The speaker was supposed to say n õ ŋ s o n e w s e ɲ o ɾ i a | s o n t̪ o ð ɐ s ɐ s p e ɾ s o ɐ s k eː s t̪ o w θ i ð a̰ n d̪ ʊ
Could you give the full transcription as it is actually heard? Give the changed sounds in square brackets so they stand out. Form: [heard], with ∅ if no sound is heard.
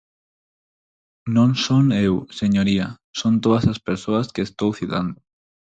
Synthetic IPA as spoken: n õ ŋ s o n e w s e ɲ o ɾ i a | s o n t̪ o ð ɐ s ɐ s p e ɾ s o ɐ s k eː s t̪ o w θ i ð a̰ n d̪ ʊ